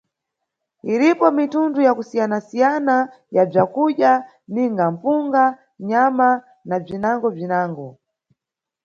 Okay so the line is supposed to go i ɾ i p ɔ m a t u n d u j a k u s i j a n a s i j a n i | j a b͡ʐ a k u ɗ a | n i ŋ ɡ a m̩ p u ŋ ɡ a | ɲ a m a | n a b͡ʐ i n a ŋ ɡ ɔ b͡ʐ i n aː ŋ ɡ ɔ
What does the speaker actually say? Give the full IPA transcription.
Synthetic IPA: i ɾ i p ɔ m i t u n d u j a k u s i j a n a s i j a n a | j a b͡ʐ a k u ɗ a | n i ŋ ɡ a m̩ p u ŋ ɡ a | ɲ a m a | n a b͡ʐ i n a ŋ ɡ ɔ b͡ʐ i n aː ŋ ɡ ɔ

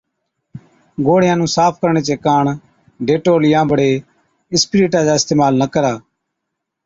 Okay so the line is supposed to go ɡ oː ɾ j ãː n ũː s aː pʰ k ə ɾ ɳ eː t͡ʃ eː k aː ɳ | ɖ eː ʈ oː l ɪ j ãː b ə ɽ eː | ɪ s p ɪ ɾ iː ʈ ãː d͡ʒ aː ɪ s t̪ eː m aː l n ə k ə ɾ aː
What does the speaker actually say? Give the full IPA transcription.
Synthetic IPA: ɡ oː ɽ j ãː n ũː s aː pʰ k ə ɾ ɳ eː t͡ʃ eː k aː ɳ | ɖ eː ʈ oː l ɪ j ãː b ə ɽ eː | ɪ s p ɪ ɾ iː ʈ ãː d͡ʒ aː ɪ s t̪ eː m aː l n ə k ə ɾ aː

